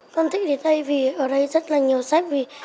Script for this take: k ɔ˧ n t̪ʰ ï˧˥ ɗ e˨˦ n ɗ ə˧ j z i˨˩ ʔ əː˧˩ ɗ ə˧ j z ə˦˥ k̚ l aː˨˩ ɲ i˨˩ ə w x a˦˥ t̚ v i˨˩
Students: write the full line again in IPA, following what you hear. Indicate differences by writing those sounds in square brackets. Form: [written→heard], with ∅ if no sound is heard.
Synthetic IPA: k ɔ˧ n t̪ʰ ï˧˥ ɗ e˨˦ n ɗ ə˧ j [z→v] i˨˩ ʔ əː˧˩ ɗ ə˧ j z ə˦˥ [k̚→t̚] l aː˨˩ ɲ i˨˩ ə w [x→s] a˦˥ [t̚→k̚] v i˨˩